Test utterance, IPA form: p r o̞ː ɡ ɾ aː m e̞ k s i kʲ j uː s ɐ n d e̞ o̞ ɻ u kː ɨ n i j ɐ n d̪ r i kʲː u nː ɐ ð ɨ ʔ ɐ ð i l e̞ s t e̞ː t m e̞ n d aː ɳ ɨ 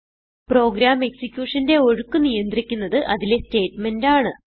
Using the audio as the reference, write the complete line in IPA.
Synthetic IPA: p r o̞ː ɡ ɾ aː m e̞ k s i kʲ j uː ʂ ɐ n d e̞ o̞ ɻ u kː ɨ n i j ɐ n d̪ r i kʲː u nː ɐ ð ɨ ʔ ɐ ð i l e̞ s t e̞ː t m e̞ n d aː ɳ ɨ